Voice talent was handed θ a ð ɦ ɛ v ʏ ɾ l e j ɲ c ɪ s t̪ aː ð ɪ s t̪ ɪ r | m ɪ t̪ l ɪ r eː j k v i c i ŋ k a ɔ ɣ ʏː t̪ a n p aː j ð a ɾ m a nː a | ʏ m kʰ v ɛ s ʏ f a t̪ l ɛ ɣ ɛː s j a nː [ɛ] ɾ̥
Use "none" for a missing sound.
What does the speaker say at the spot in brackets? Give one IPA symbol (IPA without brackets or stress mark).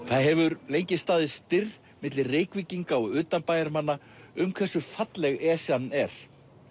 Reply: ɛ